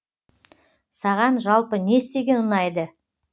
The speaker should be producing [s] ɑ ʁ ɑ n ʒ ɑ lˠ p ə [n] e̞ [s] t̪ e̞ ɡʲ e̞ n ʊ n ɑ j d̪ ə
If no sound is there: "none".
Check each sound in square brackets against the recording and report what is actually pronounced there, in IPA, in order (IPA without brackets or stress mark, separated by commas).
s, n, s